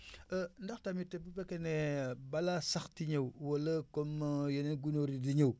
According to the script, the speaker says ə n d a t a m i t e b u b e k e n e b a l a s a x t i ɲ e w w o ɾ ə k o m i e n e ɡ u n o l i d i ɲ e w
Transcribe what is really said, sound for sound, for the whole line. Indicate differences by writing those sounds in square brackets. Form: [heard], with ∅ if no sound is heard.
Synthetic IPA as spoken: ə n d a t a m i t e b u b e k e n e b a l a s a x t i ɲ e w w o [l] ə k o m [j] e n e ɡ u n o [ɾ] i d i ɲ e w